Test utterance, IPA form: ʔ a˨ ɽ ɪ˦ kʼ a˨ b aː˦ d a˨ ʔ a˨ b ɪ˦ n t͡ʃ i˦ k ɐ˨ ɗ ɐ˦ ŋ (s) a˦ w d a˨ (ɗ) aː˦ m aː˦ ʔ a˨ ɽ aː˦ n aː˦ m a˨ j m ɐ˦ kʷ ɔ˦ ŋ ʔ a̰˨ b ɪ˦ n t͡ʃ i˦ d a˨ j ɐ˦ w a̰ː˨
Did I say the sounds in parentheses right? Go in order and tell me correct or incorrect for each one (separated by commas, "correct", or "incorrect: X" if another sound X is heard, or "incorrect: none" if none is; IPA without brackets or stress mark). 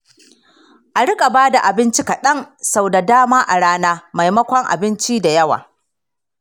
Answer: correct, incorrect: d